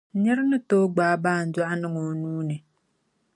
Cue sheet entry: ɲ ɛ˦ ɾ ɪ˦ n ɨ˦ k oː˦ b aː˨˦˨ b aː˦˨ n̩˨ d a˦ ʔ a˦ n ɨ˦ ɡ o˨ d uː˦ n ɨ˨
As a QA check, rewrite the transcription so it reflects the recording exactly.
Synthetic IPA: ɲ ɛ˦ ɾ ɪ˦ n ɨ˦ t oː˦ ɡ͡b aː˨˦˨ b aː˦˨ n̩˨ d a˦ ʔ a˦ n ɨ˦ ŋ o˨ n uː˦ n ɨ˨